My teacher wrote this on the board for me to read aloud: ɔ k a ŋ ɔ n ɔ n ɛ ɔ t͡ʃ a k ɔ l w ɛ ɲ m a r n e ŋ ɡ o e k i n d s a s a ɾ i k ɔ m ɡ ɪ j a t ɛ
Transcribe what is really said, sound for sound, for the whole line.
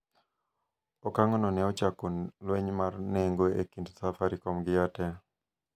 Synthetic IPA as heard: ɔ k a ŋ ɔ n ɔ n ɛ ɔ t͡ʃ a k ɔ l w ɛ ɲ m a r n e ŋ ɡ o e k i n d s a f a ɾ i k ɔ m ɡ ɪ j a t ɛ